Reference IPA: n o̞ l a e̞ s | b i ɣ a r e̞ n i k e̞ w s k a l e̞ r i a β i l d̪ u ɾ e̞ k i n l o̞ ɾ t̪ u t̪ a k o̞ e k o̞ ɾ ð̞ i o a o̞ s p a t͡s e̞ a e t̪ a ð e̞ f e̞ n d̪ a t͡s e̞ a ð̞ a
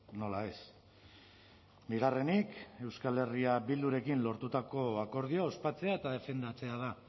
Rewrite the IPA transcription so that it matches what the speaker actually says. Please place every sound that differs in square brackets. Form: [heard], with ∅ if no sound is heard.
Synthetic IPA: n o̞ l a e̞ s | b i ɣ a r e̞ n i k e̞ w s k a l e̞ r i a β i l d̪ u ɾ e̞ k i n l o̞ ɾ t̪ u t̪ a k o̞ [a] k o̞ ɾ ð̞ i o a o̞ s p a t͡s e̞ a e t̪ a ð e̞ f e̞ n d̪ a t͡s e̞ a ð̞ a